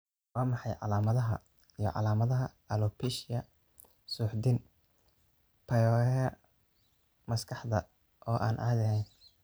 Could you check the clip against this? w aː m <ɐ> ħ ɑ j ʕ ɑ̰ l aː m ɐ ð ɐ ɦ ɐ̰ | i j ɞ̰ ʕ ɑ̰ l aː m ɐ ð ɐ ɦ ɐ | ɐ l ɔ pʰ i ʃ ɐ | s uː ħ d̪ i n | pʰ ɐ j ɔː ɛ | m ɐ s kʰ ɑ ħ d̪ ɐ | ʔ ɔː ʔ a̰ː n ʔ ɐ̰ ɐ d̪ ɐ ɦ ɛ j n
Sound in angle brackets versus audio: incorrect: ɑ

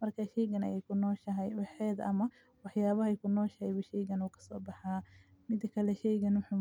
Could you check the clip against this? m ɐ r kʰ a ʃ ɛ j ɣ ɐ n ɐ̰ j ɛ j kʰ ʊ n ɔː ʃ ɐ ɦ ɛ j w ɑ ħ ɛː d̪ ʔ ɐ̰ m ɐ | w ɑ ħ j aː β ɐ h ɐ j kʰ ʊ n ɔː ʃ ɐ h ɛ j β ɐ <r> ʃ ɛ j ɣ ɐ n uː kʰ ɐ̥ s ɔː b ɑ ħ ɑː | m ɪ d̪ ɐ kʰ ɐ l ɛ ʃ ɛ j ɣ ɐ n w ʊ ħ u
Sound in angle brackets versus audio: incorrect: none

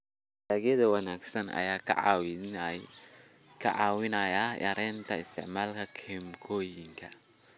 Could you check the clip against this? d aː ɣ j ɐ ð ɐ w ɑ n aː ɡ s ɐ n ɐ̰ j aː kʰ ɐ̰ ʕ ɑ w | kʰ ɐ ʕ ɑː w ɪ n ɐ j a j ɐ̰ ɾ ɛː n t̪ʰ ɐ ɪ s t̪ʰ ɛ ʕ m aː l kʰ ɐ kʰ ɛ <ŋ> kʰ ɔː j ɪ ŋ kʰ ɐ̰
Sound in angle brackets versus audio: incorrect: m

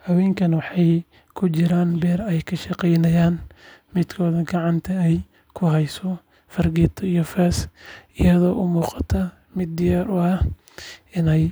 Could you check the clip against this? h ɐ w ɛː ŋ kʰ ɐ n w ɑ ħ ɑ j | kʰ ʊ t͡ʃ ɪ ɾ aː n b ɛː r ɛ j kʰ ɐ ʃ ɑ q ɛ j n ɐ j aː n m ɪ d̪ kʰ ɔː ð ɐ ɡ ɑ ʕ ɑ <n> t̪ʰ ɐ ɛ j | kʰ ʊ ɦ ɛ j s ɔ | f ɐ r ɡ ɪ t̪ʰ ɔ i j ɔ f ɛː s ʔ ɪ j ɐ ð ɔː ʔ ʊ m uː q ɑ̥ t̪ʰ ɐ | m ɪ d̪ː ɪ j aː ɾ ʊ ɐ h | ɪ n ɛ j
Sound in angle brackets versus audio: correct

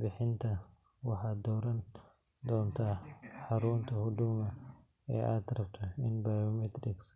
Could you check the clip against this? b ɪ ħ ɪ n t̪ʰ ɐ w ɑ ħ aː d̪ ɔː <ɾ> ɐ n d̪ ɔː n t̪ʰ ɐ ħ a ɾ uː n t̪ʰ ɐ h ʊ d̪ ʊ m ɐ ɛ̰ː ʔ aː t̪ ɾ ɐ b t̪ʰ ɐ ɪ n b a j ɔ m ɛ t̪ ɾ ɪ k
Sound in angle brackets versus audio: correct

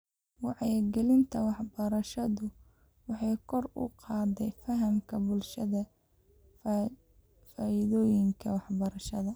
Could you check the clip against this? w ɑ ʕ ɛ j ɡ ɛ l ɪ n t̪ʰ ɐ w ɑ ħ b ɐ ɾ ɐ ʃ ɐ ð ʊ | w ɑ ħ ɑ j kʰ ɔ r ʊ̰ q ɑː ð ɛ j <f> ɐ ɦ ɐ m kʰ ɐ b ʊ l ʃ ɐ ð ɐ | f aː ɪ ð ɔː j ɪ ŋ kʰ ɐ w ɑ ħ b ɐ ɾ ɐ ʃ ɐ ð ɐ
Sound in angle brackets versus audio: correct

